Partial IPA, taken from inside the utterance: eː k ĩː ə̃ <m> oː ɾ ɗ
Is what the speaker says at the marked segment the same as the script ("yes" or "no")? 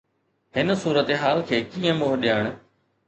yes